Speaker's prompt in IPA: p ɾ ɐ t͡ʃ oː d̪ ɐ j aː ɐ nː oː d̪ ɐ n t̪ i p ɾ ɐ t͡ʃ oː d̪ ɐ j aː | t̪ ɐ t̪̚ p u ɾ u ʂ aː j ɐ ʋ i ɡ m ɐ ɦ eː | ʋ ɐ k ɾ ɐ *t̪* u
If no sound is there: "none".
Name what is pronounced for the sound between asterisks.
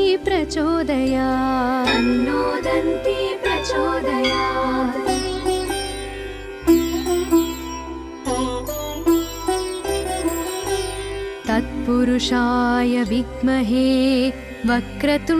t̪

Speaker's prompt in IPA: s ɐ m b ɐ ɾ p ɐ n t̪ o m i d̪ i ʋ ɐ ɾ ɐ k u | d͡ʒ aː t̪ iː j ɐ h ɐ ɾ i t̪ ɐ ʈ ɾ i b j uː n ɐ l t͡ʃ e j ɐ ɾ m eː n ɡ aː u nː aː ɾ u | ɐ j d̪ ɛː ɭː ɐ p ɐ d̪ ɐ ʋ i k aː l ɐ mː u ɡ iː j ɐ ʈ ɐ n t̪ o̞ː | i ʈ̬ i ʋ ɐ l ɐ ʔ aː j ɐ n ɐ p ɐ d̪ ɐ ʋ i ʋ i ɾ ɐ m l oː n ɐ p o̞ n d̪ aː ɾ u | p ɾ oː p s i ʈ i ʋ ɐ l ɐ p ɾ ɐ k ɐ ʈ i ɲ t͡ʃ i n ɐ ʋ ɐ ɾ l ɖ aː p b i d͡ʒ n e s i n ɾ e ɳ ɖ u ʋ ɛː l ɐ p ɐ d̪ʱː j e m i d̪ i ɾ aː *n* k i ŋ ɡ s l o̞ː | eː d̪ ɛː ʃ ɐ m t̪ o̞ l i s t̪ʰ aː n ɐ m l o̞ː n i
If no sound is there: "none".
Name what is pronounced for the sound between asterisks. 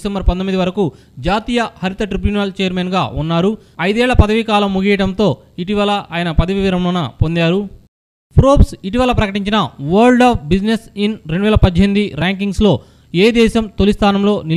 ŋ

